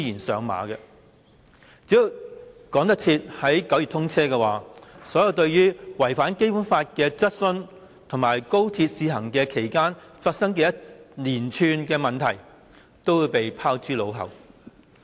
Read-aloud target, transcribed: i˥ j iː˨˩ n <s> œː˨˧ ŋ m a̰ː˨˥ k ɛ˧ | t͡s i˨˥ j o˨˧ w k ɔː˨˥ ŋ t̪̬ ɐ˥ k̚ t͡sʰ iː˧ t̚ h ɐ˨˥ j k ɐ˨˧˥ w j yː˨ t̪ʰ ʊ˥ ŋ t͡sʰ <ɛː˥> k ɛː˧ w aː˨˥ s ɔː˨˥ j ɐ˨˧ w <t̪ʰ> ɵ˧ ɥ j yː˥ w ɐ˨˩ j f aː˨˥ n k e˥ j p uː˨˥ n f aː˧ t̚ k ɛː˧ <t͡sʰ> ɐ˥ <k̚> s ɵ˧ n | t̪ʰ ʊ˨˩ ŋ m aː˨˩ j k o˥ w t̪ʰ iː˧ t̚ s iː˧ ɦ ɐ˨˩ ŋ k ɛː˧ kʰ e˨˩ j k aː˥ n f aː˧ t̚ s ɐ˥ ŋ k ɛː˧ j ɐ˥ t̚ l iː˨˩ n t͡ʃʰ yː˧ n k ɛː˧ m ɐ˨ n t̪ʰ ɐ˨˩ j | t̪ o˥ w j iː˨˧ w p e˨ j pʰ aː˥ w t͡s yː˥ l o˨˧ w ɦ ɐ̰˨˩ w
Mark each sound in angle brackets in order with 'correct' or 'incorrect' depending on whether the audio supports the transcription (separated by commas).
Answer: correct, correct, incorrect, incorrect, incorrect